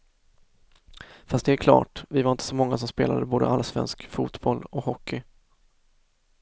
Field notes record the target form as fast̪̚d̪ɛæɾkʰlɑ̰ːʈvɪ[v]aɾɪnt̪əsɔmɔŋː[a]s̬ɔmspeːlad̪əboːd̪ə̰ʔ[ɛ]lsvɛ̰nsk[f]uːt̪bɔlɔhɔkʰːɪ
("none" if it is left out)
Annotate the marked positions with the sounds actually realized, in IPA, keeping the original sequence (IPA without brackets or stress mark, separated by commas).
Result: v, a, a, f